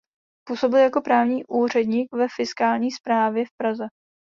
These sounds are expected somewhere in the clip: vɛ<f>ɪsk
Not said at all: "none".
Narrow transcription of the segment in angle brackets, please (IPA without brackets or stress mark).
f